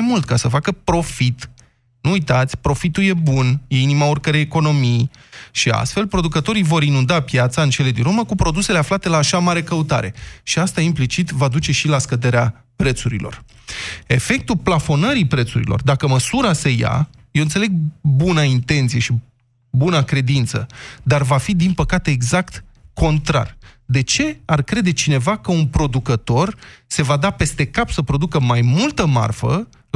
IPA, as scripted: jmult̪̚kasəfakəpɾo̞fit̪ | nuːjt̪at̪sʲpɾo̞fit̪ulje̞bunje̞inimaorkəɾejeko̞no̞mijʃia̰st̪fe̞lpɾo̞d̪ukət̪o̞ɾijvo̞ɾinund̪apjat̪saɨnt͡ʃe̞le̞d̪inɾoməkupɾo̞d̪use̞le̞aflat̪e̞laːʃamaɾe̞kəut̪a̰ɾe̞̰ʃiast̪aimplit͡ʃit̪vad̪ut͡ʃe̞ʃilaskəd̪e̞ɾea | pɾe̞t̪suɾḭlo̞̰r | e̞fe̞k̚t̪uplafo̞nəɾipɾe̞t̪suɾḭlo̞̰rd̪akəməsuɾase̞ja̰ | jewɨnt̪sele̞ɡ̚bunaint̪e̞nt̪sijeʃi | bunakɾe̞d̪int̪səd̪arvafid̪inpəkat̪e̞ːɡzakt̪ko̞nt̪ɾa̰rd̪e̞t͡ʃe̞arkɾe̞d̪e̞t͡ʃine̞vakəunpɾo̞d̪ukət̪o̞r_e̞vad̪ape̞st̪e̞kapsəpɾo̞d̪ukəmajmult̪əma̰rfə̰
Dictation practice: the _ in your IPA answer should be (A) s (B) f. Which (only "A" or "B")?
A